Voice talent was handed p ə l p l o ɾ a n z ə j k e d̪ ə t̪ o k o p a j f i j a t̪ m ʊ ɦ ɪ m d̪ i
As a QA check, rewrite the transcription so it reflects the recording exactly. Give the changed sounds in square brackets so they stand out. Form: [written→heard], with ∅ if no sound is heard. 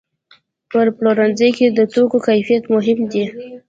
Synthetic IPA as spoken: p ə [l→ɾ] p l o ɾ a n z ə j k e d̪ ə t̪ o k o [p→k] a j f i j a t̪ m ʊ ɦ ɪ m d̪ i